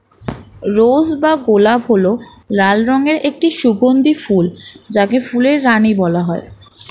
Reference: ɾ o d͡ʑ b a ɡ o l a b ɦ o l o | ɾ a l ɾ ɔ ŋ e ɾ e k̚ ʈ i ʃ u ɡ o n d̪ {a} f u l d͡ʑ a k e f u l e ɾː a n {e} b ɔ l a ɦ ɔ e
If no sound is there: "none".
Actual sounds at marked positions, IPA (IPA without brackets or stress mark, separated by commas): i, i